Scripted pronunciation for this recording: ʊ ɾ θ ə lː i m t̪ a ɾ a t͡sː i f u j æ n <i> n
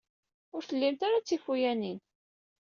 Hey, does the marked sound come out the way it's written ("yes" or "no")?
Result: yes